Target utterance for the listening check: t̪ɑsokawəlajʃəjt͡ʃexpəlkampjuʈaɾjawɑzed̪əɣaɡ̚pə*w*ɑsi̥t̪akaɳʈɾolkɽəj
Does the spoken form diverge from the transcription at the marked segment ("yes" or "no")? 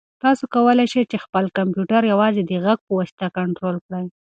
no